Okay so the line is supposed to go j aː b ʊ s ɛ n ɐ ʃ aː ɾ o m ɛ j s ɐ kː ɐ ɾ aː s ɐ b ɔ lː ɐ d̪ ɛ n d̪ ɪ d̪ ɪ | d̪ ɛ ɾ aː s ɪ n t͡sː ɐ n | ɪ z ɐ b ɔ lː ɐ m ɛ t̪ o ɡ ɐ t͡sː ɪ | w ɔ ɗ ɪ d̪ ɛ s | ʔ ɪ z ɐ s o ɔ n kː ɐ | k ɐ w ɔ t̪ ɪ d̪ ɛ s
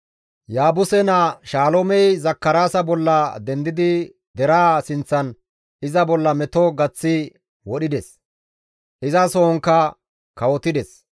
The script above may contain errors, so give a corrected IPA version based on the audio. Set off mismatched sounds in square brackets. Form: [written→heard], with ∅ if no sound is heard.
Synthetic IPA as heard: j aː b ʊ s ɛ n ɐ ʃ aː [ɾ→l] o m ɛ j [s→z] ɐ kː ɐ ɾ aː s ɐ b ɔ lː ɐ d̪ ɛ n d̪ ɪ d̪ ɪ | d̪ ɛ ɾ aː s ɪ n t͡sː ɐ n | ɪ z ɐ b ɔ lː ɐ m ɛ t̪ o ɡ ɐ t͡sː ɪ | w ɔ ɗ ɪ d̪ ɛ s | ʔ ɪ z ɐ s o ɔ [n→ŋ] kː ɐ | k ɐ w ɔ t̪ ɪ d̪ ɛ s